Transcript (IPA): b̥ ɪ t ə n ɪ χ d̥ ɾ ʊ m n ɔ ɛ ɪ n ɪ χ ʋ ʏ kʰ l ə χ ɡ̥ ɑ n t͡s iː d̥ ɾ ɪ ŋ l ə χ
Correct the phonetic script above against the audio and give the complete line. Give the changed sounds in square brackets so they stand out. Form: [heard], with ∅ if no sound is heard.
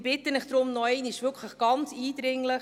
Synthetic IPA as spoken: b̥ ɪ t ə n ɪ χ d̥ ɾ ʊ m n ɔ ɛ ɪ n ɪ [ʃ] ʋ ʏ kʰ l ə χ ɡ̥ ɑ n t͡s iː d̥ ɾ ɪ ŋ l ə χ